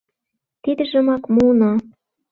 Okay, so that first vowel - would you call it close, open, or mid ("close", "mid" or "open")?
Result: close